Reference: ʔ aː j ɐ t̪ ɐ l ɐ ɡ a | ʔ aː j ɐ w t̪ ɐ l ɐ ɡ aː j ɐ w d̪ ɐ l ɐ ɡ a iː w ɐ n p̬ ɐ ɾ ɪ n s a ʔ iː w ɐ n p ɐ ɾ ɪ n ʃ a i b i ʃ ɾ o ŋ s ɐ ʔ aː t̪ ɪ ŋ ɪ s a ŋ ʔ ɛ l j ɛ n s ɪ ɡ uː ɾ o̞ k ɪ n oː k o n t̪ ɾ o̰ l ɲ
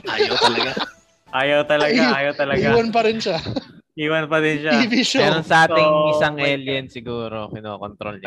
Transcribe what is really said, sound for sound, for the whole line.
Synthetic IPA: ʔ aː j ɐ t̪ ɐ l ɐ ɡ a | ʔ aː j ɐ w t̪ ɐ l ɐ ɡ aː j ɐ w t̪ ɐ l ɐ ɡ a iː w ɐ n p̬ ɐ ɾ ɪ n ʃ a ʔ iː w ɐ n p ɐ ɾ ɪ n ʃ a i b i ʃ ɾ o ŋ s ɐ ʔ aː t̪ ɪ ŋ ɪ s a ŋ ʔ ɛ l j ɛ n s ɪ ɡ uː ɾ o̞ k ɪ n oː k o n t̪ ɾ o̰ l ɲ